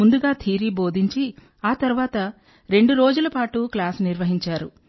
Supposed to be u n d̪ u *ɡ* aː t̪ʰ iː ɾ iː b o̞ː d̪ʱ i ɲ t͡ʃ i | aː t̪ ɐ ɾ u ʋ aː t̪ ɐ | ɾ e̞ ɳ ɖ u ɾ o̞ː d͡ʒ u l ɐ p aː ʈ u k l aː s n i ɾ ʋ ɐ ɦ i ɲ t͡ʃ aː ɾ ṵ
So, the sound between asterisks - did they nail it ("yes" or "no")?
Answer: yes